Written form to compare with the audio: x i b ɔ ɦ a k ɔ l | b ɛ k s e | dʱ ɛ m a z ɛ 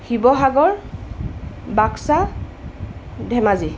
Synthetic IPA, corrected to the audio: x i b ɔ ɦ a ɡ ɔ ɹ | b a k s a | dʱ ɛ m a z i